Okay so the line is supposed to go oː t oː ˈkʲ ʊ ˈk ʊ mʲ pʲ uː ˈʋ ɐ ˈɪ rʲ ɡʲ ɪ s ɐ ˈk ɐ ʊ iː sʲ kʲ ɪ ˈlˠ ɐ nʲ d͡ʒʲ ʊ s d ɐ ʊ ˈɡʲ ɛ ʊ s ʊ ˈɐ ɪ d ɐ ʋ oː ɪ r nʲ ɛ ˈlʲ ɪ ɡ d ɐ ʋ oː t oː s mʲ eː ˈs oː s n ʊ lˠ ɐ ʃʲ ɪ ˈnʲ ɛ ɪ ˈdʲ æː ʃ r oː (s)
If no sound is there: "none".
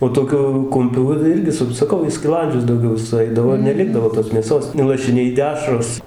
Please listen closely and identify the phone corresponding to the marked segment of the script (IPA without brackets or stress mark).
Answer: s